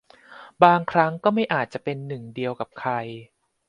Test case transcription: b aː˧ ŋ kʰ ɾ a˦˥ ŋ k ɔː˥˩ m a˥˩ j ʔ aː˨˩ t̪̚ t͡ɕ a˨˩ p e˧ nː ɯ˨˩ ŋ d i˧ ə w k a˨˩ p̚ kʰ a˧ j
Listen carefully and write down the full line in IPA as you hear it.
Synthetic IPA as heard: b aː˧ ŋ kʰ ɾ a˦˥ ŋ k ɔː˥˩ m a˥˩ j ʔ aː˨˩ t̪̚ t͡ɕ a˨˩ p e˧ nː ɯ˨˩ ŋ d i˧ ə w k a˨˩ p̚ kʰ a˧ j

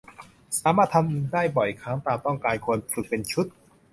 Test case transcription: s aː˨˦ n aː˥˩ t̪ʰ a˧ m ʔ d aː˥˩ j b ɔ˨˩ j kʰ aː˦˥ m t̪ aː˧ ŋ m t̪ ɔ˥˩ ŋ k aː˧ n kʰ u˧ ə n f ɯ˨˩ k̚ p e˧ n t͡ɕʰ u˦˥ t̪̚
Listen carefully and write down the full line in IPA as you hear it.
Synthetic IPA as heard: s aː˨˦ m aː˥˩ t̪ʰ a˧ m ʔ d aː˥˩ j b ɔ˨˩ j kʰ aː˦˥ ŋ t̪ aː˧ m t̪ ɔ˥˩ ŋ k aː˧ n kʰ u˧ ə n f ɯ˨˩ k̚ p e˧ n t͡ɕʰ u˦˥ t̪̚

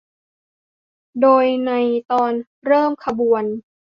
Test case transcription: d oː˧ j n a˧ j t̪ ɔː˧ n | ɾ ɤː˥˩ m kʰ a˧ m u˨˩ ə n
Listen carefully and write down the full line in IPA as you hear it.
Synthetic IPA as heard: d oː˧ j n a˧ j t̪ ɔː˧ n | ɾ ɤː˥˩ m kʰ a˧ b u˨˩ ə n

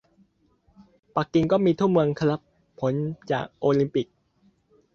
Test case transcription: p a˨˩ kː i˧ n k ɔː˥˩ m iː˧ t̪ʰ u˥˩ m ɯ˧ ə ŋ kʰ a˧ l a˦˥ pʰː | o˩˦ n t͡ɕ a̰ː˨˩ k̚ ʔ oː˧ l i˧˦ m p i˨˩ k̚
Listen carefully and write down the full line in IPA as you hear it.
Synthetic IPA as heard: p a˨˩ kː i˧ ŋ k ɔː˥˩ m iː˧ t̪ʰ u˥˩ m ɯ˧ ə ŋ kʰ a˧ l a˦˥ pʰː | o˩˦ n t͡ɕ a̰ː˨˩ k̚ ʔ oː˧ l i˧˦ m p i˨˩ k̚

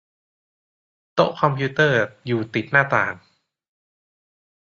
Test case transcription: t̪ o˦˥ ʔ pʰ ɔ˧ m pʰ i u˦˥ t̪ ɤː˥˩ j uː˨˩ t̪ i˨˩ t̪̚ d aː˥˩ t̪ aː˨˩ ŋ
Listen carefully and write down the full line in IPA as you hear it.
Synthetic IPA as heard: t̪ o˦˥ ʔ kʰ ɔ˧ m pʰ i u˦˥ t̪ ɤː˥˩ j uː˨˩ t̪ i˨˩ t̪̚ n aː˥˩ t̪ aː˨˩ ŋ

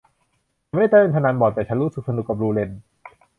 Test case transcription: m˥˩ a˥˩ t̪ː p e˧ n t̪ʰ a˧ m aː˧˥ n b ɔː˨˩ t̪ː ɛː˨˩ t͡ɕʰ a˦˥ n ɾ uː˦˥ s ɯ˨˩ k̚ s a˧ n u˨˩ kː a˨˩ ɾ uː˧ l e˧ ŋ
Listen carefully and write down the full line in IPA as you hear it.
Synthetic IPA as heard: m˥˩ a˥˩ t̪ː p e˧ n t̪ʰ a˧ n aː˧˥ n b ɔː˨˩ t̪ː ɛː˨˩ t͡ɕʰ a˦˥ n ɾ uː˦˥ s ɯ˨˩ k̚ s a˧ n u˨˩ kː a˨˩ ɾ uː˧ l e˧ n

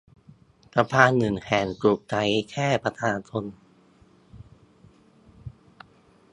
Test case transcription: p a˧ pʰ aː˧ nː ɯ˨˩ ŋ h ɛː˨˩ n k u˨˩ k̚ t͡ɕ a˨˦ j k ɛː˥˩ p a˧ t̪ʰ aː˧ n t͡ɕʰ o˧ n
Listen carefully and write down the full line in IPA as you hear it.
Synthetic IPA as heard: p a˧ pʰ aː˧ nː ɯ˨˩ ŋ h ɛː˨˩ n k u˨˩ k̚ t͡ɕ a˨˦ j kʰ ɛː˥˩ p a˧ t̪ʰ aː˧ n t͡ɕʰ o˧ n

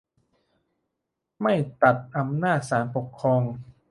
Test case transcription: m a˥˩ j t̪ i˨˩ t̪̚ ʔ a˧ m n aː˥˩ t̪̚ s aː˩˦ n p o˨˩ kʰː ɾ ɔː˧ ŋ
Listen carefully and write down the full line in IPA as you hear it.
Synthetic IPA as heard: m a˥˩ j t̪ a˨˩ t̪̚ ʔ a˧ m n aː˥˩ t̪̚ s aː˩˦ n p o˨˩ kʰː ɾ ɔː˧ ŋ

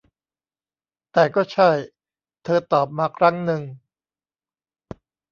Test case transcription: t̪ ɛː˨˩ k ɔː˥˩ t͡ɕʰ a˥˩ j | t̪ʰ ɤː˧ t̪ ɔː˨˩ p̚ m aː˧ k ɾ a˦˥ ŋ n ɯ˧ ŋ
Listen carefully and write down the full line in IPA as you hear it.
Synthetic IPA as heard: t̪ ɛː˨˩ k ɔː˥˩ t͡ɕʰ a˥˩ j | t̪ʰ ɤː˧ t̪ ɔː˨˩ p̚ m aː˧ kʰ ɾ a˦˥ ŋ n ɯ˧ ŋ

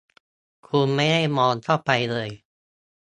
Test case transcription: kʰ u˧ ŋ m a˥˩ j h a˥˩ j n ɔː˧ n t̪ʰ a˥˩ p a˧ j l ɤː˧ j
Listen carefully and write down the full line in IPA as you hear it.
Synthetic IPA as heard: kʰ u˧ n m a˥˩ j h a˥˩ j m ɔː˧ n t̪ʰ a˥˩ p a˧ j l ɤː˧ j

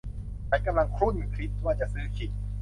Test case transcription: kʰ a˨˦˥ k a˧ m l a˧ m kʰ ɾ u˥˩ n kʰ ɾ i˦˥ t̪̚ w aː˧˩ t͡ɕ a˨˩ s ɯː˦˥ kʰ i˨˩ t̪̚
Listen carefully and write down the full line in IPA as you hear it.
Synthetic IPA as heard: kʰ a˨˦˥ k a˧ m l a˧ ŋ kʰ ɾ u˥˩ n kʰ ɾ i˦˥ t̪̚ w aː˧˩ t͡ɕ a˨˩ s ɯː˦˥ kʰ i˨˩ t̪̚

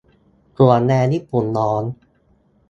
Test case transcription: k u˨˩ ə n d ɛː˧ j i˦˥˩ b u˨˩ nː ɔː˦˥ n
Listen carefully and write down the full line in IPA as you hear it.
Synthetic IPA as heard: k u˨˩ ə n n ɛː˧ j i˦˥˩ p u˨˩ nː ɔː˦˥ n

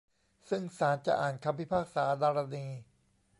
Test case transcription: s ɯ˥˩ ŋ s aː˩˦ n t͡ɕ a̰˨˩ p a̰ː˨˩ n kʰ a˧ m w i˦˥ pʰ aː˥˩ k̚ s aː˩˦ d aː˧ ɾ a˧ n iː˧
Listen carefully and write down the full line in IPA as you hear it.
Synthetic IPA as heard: s ɯ˥˩ ŋ s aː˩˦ n t͡ɕ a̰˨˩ ʔ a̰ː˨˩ n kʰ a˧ m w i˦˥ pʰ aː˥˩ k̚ s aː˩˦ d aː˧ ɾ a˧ n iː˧

